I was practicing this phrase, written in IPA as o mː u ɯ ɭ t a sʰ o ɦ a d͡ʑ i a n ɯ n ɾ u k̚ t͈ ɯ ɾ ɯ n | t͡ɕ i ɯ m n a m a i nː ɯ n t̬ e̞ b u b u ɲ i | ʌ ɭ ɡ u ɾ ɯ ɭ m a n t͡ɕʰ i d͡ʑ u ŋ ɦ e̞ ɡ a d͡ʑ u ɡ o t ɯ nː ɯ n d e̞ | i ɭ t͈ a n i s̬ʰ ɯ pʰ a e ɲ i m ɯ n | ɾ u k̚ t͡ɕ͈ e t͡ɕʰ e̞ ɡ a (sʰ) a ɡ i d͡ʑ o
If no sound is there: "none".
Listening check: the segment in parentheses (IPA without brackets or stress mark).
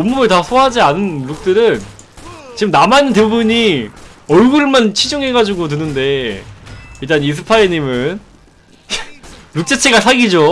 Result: sʰ